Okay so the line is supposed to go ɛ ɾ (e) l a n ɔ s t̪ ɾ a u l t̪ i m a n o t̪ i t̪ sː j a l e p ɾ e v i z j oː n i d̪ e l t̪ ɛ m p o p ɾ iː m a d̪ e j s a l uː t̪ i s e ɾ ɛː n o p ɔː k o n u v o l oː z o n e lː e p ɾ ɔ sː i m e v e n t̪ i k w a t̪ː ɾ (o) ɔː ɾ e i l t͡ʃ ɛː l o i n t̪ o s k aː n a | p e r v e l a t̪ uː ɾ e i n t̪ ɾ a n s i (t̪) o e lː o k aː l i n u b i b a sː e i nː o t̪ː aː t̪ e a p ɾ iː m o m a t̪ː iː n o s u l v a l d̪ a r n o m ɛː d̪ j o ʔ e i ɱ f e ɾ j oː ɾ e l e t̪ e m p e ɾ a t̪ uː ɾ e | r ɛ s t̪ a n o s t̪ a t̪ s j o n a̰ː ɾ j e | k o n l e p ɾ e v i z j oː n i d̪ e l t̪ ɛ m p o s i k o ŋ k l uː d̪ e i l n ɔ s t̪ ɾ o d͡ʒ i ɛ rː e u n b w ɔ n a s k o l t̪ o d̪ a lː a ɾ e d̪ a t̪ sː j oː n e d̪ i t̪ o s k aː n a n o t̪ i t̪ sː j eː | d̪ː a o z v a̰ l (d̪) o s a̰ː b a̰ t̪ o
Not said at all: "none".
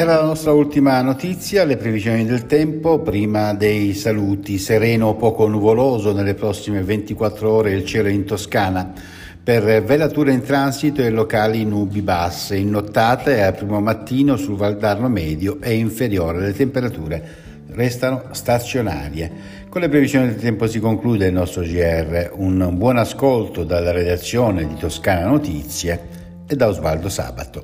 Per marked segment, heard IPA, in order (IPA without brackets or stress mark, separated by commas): a, o, t̪, d̪